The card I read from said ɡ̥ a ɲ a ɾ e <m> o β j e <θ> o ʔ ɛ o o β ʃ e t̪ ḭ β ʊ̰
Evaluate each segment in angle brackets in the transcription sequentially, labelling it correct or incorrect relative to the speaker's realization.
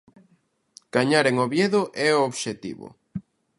incorrect: ŋ, incorrect: ð

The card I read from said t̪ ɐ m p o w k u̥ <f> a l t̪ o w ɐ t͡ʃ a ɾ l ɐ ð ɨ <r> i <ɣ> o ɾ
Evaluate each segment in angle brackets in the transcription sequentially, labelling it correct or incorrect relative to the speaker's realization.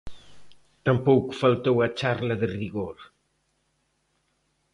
correct, correct, correct

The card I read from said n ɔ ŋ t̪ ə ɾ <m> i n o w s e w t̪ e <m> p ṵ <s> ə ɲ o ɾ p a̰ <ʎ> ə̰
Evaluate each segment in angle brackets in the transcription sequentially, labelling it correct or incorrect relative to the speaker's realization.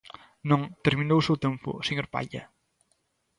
correct, correct, correct, correct

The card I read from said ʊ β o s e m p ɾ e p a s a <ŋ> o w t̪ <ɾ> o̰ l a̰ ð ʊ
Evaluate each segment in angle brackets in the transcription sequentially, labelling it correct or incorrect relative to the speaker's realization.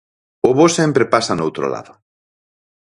incorrect: n, correct

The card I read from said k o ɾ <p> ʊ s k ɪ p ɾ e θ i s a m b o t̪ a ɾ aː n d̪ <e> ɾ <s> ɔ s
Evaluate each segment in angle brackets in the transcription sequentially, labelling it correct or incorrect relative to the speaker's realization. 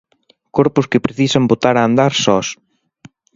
correct, incorrect: a, correct

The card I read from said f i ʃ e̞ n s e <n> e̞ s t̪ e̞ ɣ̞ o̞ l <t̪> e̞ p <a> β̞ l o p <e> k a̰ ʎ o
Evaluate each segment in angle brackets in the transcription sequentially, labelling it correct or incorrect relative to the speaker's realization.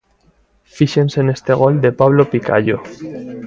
correct, incorrect: d̪, correct, incorrect: i

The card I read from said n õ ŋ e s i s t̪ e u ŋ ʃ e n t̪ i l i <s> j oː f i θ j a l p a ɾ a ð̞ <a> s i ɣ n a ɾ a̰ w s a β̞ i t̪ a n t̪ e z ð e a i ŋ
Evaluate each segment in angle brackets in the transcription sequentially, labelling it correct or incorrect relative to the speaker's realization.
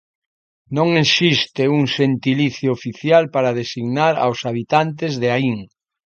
incorrect: θ, incorrect: e

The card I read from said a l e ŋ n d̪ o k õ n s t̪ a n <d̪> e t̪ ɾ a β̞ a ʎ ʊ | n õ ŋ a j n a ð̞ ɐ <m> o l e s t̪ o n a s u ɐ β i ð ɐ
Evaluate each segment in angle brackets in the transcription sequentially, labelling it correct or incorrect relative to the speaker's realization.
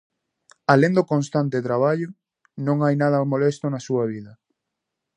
incorrect: t̪, correct

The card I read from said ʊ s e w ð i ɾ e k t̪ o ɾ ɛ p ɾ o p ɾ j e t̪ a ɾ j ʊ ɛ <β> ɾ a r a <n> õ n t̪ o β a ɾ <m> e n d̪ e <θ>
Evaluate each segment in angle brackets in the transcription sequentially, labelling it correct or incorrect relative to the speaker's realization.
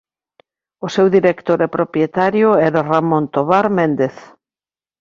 incorrect: none, incorrect: m, correct, correct

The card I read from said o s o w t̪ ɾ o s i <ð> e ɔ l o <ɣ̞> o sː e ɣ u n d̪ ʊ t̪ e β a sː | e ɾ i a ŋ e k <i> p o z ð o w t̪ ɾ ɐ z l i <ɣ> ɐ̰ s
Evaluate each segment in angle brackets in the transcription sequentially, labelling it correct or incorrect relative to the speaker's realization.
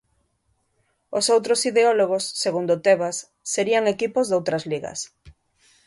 correct, correct, correct, correct

